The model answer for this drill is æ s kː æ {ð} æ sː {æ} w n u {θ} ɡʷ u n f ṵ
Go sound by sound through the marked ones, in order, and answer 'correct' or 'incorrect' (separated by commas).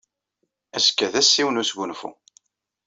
correct, incorrect, incorrect